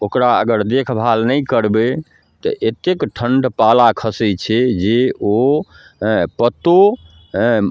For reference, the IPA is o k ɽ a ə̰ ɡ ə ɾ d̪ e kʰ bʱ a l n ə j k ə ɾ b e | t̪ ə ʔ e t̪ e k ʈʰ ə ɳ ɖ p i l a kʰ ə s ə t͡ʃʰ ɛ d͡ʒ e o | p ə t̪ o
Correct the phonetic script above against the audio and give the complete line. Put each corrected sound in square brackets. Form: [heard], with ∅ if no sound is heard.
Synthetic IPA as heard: o k [ɾ] a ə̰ ɡ ə ɾ d̪ e kʰ bʱ a l n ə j k ə ɾ b e | t̪ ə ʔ e t̪ e k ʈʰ ə ɳ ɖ p [a] l a kʰ ə s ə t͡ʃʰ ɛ d͡ʒ e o | p ə t̪ o